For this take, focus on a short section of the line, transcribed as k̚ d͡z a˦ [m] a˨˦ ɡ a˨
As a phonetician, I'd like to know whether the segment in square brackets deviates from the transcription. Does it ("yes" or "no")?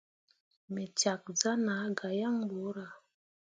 yes